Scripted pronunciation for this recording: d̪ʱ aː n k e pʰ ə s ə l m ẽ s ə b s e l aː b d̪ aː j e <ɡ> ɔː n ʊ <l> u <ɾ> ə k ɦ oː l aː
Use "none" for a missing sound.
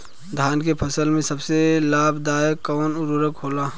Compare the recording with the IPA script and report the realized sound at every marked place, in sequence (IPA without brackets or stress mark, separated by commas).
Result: k, ɾ, ɾ